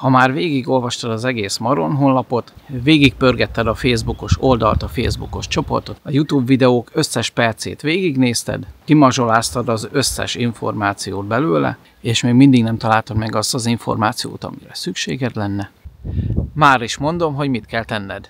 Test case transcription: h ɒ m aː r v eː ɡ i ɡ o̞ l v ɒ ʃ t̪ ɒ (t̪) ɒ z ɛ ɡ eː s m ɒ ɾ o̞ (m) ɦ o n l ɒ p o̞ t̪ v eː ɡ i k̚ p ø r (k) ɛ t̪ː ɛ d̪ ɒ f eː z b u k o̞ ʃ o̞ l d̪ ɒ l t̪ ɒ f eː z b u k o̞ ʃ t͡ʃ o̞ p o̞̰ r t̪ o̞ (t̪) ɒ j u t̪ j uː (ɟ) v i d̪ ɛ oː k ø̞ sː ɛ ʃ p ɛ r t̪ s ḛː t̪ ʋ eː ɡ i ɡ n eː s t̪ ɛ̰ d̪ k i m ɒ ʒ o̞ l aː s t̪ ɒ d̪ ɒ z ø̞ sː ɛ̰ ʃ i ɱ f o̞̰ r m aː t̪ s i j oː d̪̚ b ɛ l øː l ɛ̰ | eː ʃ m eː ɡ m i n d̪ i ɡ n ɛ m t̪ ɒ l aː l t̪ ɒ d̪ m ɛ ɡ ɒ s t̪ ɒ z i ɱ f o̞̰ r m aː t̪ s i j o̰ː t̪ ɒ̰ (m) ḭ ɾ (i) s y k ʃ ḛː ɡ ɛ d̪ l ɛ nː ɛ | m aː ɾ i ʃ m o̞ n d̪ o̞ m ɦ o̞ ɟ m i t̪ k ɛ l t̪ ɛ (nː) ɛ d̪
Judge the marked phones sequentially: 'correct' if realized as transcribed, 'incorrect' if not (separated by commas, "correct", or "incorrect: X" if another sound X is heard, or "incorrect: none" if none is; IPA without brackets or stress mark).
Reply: incorrect: d̪, incorrect: n, incorrect: ɡ, correct, incorrect: b, correct, incorrect: ɛ, correct